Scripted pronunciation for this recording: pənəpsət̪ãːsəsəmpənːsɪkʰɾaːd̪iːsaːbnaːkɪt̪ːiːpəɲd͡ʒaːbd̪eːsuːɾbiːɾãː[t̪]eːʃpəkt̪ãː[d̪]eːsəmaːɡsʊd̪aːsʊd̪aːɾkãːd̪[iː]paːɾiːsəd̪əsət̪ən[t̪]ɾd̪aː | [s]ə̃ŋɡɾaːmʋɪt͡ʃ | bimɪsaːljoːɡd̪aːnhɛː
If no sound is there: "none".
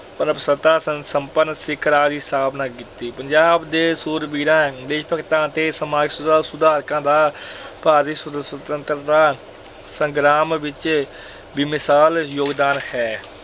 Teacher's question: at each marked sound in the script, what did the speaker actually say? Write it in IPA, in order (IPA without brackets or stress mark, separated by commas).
d̪, t̪, aː, t̪, s